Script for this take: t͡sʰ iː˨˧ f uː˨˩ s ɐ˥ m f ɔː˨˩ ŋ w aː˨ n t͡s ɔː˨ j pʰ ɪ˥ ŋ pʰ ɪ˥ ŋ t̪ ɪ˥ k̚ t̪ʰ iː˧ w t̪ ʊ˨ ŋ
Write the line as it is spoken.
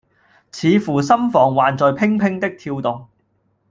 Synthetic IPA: t͡sʰ iː˨˧ f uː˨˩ s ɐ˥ m f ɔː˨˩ ŋ w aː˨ n t͡s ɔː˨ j pʰ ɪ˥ ŋ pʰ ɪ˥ ŋ t̪ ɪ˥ k̚ t̪ʰ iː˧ w t̪ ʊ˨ ŋ